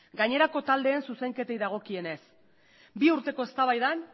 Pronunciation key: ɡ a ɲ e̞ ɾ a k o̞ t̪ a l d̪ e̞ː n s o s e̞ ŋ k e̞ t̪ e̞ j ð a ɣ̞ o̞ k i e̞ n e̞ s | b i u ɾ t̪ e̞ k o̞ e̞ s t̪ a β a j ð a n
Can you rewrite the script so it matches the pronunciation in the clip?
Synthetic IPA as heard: ɡ a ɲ e̞ ɾ a k o̞ t̪ a l d̪ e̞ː n s u s e̞ ŋ k e̞ t̪ e̞ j ð a ɣ̞ o̞ k i e̞ n e̞ s | b i u ɾ t̪ e̞ k o̞ e̞ s t̪ a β a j ð a n